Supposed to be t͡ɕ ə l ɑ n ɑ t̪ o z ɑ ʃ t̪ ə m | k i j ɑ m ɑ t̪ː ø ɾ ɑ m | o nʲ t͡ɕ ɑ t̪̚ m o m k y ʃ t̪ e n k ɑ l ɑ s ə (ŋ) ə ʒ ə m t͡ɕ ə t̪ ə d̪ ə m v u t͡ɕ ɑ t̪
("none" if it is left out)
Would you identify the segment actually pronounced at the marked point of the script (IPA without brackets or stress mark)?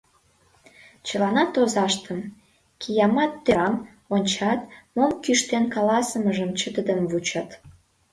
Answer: m